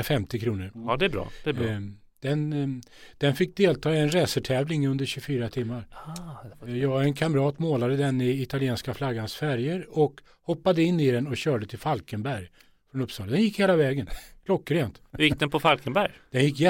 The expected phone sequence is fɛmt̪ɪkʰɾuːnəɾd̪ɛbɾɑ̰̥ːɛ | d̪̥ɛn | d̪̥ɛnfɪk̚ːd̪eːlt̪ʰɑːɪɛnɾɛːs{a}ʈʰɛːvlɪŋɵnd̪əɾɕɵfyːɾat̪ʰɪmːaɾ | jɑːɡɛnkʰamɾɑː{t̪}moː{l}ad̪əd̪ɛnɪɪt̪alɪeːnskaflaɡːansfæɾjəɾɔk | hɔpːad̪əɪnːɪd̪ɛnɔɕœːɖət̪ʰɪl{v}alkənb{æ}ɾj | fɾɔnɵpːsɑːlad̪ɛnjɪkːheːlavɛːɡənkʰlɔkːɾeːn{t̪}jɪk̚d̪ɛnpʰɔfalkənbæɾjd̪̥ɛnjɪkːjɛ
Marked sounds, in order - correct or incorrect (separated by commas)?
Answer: incorrect, correct, correct, incorrect, correct, correct